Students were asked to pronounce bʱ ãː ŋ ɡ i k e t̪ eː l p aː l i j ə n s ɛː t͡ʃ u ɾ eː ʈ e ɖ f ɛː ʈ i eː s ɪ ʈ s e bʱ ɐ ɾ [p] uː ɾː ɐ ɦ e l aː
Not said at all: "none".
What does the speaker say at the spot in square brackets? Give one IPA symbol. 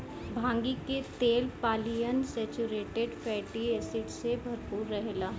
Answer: p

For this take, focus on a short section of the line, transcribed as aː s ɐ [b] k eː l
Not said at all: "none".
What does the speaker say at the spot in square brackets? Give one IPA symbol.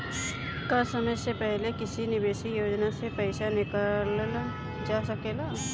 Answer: none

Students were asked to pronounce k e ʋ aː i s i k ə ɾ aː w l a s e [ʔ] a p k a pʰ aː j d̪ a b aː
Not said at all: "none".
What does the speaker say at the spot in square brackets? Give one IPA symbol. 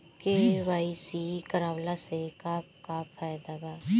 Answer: k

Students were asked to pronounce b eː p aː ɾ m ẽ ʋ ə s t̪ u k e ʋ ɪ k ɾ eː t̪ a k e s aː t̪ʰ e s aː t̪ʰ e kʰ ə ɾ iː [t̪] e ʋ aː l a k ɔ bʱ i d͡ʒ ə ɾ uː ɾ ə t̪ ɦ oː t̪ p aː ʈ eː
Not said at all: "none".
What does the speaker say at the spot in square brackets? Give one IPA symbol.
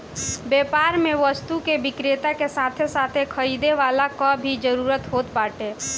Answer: d̪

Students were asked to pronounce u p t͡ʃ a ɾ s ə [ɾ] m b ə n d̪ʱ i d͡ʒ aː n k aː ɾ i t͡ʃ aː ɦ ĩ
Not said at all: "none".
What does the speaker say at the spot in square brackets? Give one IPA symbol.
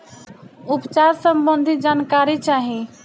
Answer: none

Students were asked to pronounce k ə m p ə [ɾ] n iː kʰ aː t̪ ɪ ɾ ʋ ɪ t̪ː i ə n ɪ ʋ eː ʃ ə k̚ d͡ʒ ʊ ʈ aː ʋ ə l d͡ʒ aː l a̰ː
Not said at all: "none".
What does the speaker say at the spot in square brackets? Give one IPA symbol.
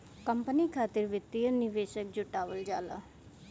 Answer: none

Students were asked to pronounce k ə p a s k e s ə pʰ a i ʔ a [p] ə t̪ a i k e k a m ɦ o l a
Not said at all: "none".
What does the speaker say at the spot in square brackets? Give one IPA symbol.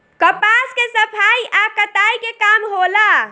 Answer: k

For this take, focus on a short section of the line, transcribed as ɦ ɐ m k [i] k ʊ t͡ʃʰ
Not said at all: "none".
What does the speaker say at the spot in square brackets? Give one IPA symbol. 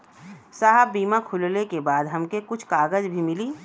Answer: e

